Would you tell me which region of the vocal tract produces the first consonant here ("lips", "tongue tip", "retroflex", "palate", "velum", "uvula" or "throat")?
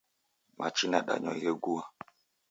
lips